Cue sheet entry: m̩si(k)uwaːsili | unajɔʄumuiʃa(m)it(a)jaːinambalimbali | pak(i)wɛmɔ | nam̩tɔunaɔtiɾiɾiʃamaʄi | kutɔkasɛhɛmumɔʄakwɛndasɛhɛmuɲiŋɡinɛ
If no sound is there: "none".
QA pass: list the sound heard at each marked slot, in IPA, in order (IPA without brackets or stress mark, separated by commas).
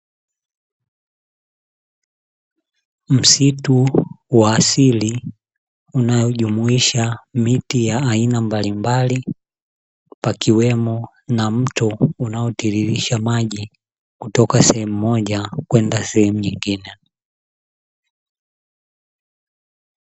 t, m, i, i